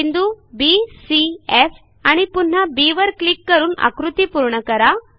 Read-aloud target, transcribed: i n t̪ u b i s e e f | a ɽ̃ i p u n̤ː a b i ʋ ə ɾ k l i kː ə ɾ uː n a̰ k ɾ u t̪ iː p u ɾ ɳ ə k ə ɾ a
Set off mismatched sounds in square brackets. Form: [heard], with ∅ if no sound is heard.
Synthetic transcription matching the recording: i n [d̪] u b i s [i] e f | a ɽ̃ i p u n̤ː a b i ʋ ə ɾ k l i kː ə ɾ uː n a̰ k ɾ u t̪ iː p u ɾ ɳ ə k ə ɾ a